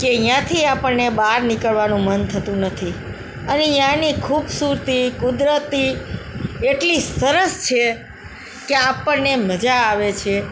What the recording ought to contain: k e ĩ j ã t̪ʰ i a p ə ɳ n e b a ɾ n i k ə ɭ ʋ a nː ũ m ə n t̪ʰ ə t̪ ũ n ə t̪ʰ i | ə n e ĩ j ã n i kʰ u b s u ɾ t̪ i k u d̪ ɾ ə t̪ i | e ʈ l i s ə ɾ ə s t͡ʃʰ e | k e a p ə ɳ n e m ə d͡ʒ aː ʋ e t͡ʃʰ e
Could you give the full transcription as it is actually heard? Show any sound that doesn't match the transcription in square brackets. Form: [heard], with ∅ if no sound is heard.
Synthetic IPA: k e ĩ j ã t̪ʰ i a p ə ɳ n e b a ɾ n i k ə ɭ ʋ a [n] ũ m ə n t̪ʰ ə t̪ ũ n ə t̪ʰ i | ə n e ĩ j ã n i kʰ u b s u ɾ t̪ i k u d̪ ɾ ə t̪ i | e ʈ l i s ə ɾ ə s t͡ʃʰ e | k e a p ə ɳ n e m ə d͡ʒ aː ʋ e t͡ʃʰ e